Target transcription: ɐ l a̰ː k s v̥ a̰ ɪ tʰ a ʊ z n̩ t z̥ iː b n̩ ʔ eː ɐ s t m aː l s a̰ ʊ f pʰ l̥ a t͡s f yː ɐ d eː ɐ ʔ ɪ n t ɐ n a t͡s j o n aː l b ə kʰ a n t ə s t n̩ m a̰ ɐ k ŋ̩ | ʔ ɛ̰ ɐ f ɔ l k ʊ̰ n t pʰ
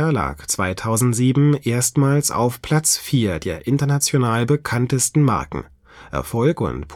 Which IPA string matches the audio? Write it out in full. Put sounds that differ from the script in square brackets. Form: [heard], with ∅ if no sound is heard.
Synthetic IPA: ɐ l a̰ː k [t͡s] v̥ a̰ ɪ tʰ a ʊ z n̩ t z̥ iː b [m̩] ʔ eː ɐ s t m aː l s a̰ ʊ f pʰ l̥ a t͡s f [iː] ɐ d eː ɐ ʔ ɪ n t ɐ n a t͡s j o n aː l b ə kʰ a n t ə s t n̩ m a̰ ɐ k ŋ̩ | ʔ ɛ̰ ɐ f ɔ l k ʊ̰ n t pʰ